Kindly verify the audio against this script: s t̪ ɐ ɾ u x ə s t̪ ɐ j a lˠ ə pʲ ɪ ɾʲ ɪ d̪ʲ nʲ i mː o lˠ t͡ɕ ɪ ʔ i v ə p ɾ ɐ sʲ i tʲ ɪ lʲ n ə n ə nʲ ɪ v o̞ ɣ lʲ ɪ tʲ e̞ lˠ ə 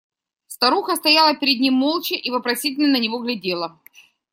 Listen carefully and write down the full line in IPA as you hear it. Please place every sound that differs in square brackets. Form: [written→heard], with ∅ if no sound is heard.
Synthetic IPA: s t̪ ɐ ɾ u x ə s t̪ ɐ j a lˠ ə pʲ ɪ ɾʲ ɪ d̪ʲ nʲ i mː o lˠ t͡ɕ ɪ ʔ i v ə p ɾ ɐ sʲ i tʲ ɪ lʲ n ə n ə nʲ ɪ v o̞ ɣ lʲ ɪ [tʲ→dʲ] e̞ lˠ ə